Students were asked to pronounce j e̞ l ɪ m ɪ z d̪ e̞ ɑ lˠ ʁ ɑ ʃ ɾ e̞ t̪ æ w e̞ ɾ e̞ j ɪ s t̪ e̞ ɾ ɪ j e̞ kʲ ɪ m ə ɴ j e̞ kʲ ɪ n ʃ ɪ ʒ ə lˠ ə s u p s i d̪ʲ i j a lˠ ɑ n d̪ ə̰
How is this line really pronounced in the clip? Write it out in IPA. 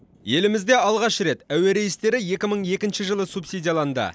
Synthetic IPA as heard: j e̞ l ɪ m ɪ z d̪ e̞ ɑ lˠ ʁ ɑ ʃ ɾ e̞ t̪ æ w e̞ ɾ e̞ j ɪ s t̪ e̞ ɾ ɪ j e̞ kʲ ɪ m ə ɴ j e̞ kʲ ɪ n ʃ ɪ ʒ ə lˠ ə s u p s i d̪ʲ i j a lˠ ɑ n d̪ ə̰